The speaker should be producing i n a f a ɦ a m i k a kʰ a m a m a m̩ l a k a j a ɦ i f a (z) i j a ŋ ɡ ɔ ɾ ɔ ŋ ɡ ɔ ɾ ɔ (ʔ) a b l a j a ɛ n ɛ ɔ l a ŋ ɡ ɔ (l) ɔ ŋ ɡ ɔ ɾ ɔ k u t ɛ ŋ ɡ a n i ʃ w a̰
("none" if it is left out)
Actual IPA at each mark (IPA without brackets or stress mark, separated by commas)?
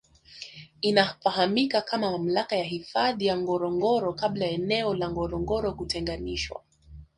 ð, k, ɾ